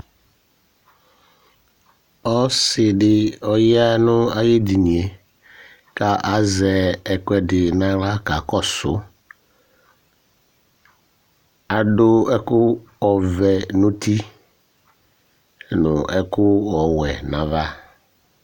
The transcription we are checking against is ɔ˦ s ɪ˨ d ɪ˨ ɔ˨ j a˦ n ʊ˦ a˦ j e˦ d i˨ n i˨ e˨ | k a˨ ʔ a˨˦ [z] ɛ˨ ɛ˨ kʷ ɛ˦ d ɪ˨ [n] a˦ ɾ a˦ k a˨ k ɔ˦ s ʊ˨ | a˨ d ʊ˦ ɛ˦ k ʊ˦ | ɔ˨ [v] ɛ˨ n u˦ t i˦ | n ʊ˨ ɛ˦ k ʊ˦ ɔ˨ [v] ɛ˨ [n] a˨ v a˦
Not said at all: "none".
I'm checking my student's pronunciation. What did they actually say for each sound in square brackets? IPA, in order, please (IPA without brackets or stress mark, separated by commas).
z, n, v, w, n